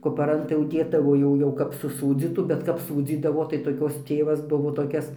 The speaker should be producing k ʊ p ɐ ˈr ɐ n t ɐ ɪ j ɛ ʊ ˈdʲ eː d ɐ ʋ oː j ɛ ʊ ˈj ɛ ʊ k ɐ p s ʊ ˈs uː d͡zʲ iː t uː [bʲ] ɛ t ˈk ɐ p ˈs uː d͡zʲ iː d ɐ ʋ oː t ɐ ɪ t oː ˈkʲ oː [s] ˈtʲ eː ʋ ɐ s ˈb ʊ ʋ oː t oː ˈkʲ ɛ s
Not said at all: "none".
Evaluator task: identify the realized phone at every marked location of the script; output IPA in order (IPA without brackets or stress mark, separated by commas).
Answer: bʲ, s